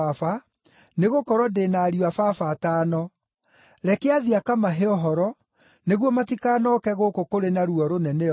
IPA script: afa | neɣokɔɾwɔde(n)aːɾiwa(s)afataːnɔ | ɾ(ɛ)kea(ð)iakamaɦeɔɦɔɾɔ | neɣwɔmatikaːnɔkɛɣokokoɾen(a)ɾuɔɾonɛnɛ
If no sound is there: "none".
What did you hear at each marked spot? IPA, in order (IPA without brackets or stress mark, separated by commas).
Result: n, f, ɛ, ð, a